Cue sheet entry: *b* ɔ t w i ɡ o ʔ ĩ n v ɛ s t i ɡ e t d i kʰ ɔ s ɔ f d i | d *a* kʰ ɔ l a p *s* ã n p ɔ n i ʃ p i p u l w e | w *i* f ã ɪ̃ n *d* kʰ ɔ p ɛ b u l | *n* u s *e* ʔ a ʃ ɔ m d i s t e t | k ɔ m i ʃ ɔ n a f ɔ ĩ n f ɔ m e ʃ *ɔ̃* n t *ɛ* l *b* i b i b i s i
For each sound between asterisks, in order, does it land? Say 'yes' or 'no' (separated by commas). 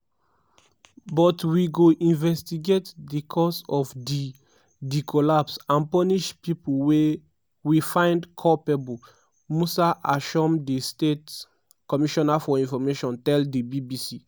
yes, no, yes, yes, yes, no, no, yes, yes, no